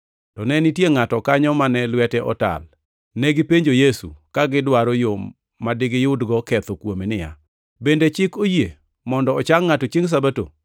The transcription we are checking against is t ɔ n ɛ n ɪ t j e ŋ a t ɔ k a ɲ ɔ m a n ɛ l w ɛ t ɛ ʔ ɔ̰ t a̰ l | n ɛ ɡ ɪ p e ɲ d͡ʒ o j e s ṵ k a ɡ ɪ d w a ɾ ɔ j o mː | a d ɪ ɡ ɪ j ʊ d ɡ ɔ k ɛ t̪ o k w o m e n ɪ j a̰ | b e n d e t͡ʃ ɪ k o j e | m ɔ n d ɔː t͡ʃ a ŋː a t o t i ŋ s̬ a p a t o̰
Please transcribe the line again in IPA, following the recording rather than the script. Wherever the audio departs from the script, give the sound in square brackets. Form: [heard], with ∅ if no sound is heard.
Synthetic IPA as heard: t ɔ n ɛ n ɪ t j e ŋ a t ɔ k a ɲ ɔ m a n ɛ l w ɛ t ɛ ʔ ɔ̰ t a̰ l | n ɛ ɡ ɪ p e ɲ d͡ʒ o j e s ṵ k a ɡ ɪ d w a ɾ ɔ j o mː | a d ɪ ɡ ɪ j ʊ d ɡ ɔ k ɛ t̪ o k w o m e n ɪ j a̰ | b e n d e t͡ʃ ɪ k o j e | m ɔ n d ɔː t͡ʃ a ŋː a t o [t͡ʃ] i ŋ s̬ a [b] a t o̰